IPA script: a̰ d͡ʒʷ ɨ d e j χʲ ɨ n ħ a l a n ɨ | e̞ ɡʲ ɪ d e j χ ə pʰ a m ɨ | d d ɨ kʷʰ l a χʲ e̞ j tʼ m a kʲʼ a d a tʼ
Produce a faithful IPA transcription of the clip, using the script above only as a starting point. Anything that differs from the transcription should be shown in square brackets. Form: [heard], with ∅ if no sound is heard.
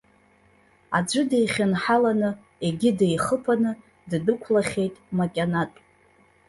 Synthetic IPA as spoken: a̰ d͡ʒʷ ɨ d e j χʲ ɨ n ħ a l a n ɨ | e̞ ɡʲ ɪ d e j χ ə pʰ a [n] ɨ | d d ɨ kʷʰ l a χʲ e̞ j tʼ m a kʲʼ a [n] a tʼ